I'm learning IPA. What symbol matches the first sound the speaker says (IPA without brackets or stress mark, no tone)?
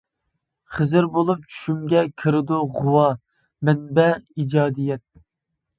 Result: χ